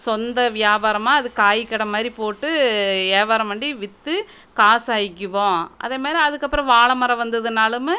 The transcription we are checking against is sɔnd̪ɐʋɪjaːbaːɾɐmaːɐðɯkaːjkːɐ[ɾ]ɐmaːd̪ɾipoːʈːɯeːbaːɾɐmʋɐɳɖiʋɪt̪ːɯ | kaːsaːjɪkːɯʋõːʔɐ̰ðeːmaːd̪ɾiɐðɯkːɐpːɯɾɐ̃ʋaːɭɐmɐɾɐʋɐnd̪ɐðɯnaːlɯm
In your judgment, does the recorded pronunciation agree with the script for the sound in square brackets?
no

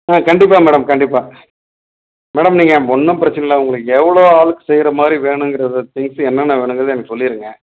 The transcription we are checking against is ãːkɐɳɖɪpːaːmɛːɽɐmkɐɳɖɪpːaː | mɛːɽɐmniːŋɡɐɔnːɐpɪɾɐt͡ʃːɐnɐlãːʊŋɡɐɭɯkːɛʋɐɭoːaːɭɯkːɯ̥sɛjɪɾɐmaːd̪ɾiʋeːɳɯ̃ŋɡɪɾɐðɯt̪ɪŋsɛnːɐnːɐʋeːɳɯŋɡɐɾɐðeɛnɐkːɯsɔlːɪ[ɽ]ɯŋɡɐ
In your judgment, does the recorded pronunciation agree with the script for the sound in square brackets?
no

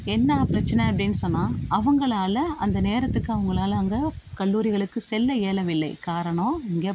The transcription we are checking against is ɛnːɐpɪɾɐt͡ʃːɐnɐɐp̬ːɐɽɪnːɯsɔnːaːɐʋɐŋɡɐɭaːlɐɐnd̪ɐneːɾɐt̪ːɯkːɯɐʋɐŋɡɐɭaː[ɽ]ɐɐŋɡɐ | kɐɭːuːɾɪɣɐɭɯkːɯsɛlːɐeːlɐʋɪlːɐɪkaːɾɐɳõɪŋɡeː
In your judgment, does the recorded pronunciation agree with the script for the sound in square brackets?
no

